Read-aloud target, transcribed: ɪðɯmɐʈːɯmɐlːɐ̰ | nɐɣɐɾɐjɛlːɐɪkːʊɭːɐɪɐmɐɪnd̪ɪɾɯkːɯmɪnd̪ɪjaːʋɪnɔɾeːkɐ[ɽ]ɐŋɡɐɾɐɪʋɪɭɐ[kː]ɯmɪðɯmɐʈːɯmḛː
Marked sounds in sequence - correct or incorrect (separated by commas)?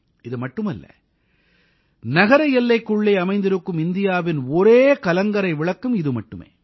incorrect, correct